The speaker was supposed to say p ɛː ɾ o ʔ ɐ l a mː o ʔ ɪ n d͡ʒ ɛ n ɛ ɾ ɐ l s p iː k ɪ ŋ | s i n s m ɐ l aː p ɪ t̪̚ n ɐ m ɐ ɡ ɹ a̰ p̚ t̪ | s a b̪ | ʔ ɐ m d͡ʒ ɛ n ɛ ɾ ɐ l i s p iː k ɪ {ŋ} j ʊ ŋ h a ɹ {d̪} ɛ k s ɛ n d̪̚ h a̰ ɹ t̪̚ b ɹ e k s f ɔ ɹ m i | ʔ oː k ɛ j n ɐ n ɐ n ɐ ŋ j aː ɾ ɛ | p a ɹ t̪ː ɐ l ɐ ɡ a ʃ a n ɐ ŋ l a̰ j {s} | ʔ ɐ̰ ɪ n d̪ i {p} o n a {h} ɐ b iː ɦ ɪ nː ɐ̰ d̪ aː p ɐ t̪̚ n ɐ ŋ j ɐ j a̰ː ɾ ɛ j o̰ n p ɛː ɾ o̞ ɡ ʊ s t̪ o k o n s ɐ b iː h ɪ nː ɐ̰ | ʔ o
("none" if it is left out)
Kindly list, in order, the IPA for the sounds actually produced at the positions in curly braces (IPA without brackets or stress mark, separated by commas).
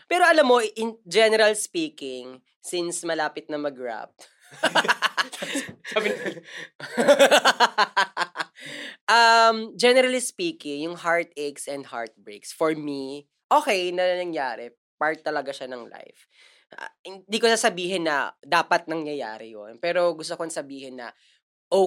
ŋ, t̪, f, k, s